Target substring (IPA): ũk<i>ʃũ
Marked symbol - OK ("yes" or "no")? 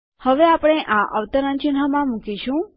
yes